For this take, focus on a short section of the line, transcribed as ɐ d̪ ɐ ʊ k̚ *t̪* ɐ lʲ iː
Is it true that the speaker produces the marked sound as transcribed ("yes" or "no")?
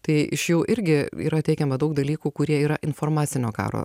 no